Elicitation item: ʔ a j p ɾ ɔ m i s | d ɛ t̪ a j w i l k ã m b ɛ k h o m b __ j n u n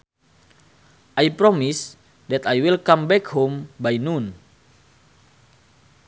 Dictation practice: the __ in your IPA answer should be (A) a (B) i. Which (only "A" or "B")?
A